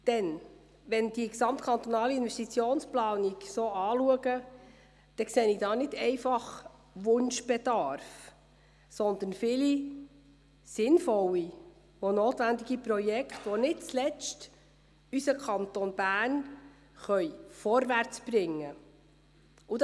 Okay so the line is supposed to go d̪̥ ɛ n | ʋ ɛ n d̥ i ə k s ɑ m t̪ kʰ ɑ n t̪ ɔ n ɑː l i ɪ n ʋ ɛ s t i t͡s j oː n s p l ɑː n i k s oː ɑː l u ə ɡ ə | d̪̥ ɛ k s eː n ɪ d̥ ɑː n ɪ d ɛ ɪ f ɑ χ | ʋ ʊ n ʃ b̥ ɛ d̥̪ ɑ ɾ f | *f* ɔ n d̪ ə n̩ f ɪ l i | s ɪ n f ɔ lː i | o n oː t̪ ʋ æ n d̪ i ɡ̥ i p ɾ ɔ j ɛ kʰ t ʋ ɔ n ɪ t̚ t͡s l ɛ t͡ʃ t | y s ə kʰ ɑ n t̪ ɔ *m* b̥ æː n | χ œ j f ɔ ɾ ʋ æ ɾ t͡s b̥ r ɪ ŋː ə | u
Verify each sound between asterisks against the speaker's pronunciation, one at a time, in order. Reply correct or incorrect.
incorrect, incorrect

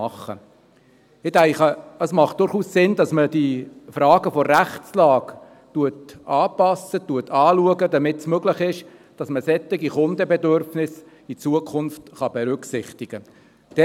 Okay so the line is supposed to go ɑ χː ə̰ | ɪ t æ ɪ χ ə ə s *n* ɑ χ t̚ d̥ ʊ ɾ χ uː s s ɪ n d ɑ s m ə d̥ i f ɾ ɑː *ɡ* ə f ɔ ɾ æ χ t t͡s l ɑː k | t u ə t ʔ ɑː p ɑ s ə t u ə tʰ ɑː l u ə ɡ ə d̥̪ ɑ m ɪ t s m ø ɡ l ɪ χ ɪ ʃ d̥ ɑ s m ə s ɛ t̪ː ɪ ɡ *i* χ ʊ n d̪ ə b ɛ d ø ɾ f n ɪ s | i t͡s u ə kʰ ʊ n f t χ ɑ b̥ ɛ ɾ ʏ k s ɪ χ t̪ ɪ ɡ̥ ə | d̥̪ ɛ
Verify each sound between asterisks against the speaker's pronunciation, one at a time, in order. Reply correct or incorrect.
incorrect, correct, correct

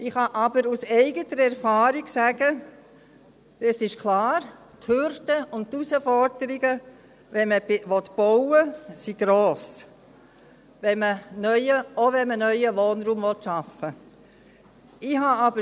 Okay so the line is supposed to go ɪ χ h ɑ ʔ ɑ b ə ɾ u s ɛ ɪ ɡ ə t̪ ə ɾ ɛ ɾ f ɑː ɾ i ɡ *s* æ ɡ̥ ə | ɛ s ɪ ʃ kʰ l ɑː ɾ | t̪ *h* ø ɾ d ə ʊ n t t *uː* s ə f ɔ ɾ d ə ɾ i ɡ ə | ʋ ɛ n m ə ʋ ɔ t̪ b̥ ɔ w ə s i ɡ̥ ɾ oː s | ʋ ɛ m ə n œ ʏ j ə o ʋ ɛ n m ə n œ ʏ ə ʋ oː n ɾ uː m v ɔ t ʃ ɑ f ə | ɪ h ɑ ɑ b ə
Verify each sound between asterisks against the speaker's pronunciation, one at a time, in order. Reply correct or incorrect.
correct, correct, incorrect

